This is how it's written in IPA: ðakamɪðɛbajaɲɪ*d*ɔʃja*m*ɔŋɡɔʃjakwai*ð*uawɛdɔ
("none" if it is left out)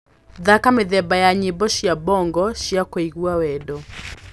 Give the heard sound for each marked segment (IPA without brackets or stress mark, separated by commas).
b, b, ɣ